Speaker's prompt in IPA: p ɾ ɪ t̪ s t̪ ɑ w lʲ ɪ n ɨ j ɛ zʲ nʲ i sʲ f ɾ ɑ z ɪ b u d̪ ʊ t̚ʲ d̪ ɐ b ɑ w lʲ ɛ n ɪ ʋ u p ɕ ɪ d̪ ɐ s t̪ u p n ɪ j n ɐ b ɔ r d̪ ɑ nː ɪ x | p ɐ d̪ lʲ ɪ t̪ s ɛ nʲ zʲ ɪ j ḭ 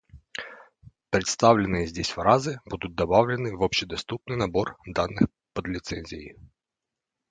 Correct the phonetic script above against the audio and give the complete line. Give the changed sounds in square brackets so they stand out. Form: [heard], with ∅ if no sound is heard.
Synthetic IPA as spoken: p ɾ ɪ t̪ s t̪ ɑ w lʲ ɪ n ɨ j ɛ zʲ [dʲ] i sʲ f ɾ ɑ z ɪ b u d̪ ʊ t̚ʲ d̪ ɐ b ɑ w lʲ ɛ n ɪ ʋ [ɔ] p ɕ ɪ d̪ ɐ s t̪ u p n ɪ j n ɐ b ɔ r d̪ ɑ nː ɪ x | p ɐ d̪ lʲ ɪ t̪ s ɛ nʲ zʲ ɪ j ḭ

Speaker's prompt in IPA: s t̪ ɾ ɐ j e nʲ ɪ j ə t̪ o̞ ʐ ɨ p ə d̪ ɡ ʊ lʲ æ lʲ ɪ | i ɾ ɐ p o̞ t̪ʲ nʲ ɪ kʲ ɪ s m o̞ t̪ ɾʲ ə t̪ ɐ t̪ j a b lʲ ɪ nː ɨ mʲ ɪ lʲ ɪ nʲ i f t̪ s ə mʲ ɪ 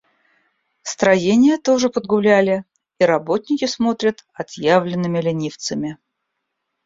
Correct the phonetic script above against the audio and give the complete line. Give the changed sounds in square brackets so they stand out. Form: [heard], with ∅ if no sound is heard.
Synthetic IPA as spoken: s t̪ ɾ ɐ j e nʲ ɪ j ə t̪ o̞ ʐ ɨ p ə d̪ ɡ ʊ lʲ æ lʲ ɪ | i ɾ ɐ [b] o̞ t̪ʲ nʲ ɪ kʲ ɪ s m o̞ t̪ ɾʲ ə t̪ ɐ t̪ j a [v] lʲ ɪ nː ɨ mʲ ɪ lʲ ɪ nʲ i f t̪ s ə mʲ ɪ

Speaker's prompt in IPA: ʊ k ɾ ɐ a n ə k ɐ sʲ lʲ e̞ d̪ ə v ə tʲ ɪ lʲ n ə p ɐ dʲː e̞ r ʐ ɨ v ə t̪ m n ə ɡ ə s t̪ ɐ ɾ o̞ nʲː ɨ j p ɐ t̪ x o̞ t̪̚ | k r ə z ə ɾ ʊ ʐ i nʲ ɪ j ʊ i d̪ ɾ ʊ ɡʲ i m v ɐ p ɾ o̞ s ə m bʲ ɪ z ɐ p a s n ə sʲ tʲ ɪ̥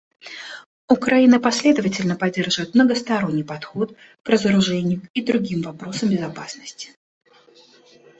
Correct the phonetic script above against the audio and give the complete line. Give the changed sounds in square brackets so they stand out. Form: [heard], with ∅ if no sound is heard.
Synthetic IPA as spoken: ʊ k ɾ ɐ [i] n ə [p] ɐ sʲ lʲ e̞ d̪ ə v ə tʲ ɪ lʲ n ə p ɐ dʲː e̞ r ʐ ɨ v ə t̪ m n ə ɡ ə s t̪ ɐ ɾ o̞ nʲː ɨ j p ɐ t̪ x o̞ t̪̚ | k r ə z ə ɾ ʊ ʐ [ɛ] nʲ ɪ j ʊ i d̪ ɾ ʊ ɡʲ i m v ɐ p ɾ o̞ s ə m bʲ ɪ z ɐ p a s n ə sʲ tʲ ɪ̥

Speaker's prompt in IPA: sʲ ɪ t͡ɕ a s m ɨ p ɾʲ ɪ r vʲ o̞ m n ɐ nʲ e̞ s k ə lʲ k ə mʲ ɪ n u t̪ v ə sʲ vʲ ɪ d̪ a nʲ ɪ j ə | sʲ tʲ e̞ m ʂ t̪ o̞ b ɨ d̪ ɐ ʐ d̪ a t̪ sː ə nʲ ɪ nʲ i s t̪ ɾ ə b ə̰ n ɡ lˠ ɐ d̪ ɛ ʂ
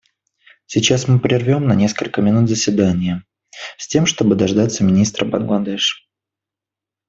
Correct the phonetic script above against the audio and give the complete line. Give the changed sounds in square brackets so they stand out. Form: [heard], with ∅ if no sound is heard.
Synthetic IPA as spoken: sʲ ɪ t͡ɕ a s m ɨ p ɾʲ ɪ r vʲ o̞ m n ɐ nʲ e̞ s k ə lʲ k ə mʲ ɪ n u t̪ [z] ə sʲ vʲ ɪ d̪ a nʲ ɪ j ə | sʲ tʲ e̞ m ʂ t̪ o̞ b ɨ d̪ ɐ ʐ d̪ a t̪ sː ə [mʲ] ɪ nʲ i s t̪ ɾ ə b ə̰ n ɡ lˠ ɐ d̪ ɛ ʂ

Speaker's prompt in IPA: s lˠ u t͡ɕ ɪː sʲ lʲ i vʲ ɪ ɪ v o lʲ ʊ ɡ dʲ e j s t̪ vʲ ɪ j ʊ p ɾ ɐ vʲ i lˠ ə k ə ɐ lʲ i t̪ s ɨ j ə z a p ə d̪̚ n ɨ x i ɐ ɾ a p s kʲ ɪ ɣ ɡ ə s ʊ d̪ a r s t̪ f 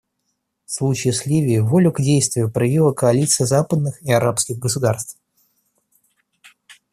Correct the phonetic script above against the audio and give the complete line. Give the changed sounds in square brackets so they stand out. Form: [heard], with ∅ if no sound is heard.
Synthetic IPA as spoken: s lˠ u t͡ɕ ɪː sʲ lʲ i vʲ ɪ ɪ v o lʲ ʊ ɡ dʲ e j s t̪ vʲ ɪ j ʊ p ɾ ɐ vʲ i lˠ ə k ə ɐ lʲ i t̪ s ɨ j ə z a p ə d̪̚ n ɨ x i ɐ ɾ a p s kʲ ɪ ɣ ɡ ə s ʊ d̪ a r s t̪ f

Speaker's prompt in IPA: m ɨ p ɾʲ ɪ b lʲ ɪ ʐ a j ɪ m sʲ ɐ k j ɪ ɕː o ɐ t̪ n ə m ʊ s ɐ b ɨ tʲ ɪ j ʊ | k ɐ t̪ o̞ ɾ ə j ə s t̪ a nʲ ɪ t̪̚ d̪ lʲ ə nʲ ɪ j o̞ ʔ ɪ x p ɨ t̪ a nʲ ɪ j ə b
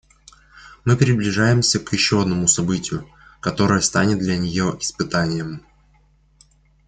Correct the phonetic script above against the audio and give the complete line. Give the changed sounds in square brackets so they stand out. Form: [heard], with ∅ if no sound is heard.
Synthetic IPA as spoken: m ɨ p ɾʲ ɪ b lʲ ɪ ʐ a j ɪ m sʲ [ə] k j ɪ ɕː o ɐ [d̪] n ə m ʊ s ɐ b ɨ tʲ ɪ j ʊ | k ɐ t̪ o̞ ɾ ə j ə s t̪ a nʲ ɪ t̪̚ d̪ lʲ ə nʲ ɪ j o̞ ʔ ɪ [s] p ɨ t̪ a nʲ ɪ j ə [m]

